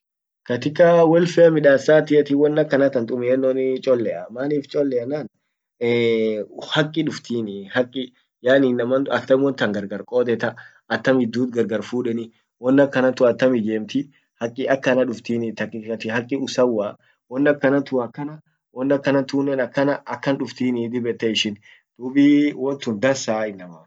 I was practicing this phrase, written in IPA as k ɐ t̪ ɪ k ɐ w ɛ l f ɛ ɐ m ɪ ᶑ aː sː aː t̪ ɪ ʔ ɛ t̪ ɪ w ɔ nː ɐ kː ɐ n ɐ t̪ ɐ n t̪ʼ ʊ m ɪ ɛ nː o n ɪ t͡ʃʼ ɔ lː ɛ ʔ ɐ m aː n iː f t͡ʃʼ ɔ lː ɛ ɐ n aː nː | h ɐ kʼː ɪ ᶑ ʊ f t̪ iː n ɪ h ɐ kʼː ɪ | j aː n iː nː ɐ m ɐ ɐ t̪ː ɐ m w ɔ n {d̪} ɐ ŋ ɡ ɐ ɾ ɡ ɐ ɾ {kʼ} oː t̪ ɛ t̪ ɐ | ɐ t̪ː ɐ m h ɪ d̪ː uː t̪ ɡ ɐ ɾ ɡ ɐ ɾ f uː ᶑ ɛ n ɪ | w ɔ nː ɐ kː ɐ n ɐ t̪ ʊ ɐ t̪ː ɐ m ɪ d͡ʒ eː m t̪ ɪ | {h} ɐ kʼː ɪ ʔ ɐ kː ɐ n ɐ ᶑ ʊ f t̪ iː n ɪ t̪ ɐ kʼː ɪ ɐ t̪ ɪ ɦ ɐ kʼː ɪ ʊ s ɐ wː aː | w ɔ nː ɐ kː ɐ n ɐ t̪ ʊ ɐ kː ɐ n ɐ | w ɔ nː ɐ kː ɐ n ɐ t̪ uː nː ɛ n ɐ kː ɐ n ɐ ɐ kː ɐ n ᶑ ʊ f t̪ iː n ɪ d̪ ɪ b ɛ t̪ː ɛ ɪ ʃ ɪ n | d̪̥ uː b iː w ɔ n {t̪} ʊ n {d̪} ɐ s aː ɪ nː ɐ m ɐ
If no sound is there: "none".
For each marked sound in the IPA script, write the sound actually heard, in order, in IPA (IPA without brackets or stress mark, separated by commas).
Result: t̪, kʼ, h, t̪, d̪